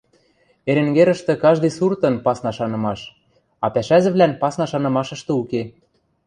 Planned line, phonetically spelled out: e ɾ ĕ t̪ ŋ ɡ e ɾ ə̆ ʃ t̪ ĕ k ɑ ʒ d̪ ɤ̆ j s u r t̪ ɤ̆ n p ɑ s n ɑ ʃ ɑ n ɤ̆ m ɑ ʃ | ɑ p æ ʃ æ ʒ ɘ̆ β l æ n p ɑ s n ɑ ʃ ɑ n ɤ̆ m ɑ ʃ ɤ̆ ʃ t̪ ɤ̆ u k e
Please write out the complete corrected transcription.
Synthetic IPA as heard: e ɾ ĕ ŋ ɡ e ɾ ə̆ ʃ t̪ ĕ k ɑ ʒ d̪ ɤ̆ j s u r t̪ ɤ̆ n p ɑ s n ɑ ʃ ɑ n ɤ̆ m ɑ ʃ | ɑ p æ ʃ æ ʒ ɘ̆ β l æ n p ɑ s n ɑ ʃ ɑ n ɤ̆ m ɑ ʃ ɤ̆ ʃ t̪ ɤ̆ u k e